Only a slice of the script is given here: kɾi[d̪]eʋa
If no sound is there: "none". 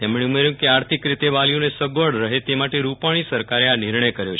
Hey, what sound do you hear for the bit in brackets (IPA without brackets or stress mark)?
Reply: t̪